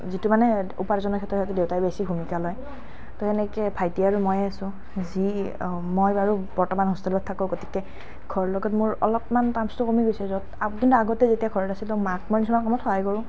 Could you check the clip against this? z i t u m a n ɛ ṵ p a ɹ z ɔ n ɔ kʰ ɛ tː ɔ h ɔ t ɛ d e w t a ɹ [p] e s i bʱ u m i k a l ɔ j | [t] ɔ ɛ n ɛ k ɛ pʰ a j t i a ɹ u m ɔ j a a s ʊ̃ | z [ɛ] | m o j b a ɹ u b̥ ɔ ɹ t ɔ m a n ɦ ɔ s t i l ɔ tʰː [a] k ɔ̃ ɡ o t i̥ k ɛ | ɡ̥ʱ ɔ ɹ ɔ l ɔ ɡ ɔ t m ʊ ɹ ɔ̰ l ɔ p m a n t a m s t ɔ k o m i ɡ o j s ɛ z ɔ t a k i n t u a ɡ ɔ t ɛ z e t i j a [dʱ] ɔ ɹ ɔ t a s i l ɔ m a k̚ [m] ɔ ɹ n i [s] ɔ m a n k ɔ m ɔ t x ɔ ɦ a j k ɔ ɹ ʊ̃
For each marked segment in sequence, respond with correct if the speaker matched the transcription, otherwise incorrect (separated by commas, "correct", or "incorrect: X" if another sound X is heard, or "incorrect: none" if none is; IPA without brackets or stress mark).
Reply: incorrect: b, correct, incorrect: i, correct, incorrect: ɡʱ, correct, correct